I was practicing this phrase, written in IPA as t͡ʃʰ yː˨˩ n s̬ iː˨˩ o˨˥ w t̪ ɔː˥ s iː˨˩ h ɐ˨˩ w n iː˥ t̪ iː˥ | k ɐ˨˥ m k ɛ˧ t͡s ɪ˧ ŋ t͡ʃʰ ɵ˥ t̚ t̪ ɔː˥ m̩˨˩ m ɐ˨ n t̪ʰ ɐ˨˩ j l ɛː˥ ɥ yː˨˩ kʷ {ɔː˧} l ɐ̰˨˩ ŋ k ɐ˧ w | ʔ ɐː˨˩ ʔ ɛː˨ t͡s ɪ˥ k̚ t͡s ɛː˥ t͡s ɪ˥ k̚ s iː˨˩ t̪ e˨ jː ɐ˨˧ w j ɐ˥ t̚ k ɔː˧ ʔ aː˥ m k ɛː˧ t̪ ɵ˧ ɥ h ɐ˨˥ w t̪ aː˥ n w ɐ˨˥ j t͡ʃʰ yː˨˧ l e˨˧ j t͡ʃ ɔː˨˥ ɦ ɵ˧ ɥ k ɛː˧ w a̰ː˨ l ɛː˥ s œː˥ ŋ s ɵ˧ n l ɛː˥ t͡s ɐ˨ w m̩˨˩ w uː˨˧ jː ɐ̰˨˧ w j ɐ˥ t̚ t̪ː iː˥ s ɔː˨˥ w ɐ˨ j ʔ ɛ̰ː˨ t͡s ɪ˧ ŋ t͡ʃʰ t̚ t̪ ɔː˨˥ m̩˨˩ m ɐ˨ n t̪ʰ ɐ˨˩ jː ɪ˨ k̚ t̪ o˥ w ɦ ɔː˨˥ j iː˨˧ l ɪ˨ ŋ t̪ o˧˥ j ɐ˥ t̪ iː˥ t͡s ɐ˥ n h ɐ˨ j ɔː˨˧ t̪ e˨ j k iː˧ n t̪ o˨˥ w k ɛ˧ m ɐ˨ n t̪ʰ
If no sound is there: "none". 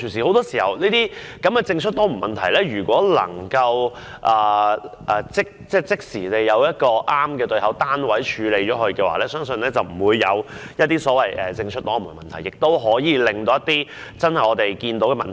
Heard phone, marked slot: ɔː˨˥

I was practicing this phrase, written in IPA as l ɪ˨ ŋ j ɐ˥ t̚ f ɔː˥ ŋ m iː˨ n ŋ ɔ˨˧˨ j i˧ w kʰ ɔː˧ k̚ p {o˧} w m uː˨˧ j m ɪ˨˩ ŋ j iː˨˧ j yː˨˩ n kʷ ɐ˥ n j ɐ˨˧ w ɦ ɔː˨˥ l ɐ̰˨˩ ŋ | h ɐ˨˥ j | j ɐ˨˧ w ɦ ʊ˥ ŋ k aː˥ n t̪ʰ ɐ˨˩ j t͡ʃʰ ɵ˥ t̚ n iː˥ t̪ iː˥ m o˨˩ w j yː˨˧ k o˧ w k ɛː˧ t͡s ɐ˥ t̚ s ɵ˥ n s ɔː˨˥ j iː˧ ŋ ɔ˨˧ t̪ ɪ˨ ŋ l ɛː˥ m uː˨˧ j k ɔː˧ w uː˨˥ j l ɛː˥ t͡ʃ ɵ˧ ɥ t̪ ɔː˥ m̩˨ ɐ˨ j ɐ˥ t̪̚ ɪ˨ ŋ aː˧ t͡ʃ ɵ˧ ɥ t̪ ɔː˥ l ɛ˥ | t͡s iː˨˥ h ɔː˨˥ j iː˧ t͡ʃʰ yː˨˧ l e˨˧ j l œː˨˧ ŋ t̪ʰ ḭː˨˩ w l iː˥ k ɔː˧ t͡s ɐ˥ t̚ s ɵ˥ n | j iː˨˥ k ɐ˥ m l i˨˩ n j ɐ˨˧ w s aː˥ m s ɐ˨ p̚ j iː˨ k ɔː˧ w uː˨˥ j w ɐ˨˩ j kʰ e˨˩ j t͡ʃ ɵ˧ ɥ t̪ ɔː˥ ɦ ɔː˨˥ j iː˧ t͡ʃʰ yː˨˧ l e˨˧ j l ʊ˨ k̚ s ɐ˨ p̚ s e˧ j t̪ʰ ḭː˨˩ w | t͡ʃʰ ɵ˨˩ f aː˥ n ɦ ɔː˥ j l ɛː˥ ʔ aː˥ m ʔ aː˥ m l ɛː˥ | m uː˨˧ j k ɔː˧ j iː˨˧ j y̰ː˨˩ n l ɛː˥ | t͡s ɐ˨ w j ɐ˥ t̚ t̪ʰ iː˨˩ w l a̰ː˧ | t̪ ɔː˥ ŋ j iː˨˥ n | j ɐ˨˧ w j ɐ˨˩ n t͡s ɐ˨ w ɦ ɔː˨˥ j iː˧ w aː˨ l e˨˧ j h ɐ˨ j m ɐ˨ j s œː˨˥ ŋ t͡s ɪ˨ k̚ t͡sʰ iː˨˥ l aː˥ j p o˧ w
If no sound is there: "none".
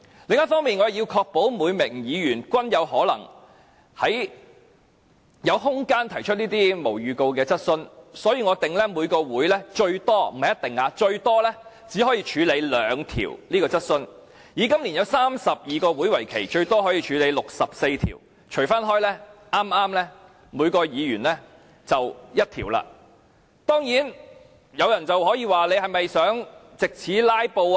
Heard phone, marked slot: o˨˥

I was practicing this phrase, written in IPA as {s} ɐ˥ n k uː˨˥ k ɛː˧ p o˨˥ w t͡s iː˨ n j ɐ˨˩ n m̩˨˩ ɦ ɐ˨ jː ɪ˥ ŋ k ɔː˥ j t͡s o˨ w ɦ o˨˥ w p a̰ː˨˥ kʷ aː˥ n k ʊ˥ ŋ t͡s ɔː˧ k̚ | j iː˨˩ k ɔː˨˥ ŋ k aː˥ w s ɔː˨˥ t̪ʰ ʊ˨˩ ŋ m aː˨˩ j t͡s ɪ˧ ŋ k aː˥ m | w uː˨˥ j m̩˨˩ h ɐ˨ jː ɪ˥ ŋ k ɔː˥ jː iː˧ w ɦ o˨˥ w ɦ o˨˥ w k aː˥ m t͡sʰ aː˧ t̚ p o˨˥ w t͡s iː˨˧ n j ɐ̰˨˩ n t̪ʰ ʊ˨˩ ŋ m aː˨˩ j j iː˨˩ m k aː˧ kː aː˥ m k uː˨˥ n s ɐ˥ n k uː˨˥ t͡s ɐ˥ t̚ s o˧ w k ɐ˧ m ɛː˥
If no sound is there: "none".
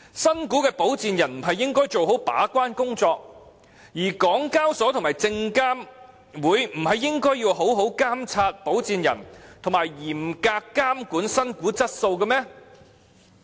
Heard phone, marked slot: s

